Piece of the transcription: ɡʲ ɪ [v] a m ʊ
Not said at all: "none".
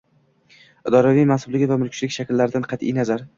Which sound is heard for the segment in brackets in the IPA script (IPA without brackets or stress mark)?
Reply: v